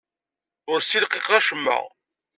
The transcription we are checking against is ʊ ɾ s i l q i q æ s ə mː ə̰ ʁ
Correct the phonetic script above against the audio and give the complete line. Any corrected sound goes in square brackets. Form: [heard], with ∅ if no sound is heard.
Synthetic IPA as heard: ʊ ɾ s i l q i q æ [ʃ] ə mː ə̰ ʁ